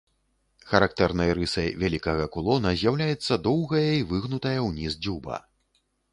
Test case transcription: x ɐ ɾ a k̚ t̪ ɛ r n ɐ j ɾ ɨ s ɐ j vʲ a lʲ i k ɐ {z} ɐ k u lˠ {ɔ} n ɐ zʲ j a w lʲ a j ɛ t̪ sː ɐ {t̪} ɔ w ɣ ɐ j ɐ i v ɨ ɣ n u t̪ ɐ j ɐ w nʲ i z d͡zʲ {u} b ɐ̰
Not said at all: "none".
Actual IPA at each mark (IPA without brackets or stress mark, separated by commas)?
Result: ɣ, ɔ, d̪, u